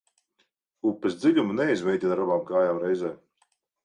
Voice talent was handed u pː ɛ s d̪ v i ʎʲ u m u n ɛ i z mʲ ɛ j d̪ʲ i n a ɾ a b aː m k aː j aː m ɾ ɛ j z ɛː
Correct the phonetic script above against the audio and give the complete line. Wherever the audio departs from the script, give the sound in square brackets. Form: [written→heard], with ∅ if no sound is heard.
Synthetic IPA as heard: u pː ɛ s d̪ [v→z] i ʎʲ u m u n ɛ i z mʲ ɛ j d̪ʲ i n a ɾ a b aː m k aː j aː m ɾ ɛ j z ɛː